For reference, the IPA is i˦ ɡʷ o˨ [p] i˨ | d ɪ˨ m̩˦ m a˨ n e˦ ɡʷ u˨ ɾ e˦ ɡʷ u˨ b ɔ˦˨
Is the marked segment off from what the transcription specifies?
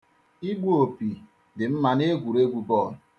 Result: no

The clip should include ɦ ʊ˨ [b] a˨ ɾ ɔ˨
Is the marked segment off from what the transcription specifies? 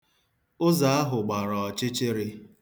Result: yes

